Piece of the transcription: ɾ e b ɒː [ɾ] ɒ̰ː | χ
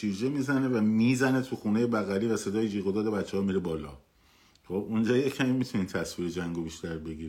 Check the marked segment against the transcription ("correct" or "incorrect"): incorrect